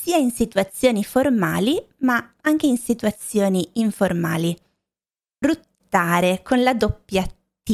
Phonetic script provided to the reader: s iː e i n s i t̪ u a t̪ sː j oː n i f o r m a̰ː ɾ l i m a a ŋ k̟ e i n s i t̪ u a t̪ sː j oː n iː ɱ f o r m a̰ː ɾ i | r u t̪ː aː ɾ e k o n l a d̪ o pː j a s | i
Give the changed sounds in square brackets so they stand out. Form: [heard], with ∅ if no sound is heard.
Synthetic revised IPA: s iː [a] i n s i t̪ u a t̪ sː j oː n i f o r m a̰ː [∅] l i m a a ŋ k̟ e i n s i t̪ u a t̪ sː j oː n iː ɱ f o r m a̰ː [l] i | r u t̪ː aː ɾ e k o n l a d̪ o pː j a [∅] | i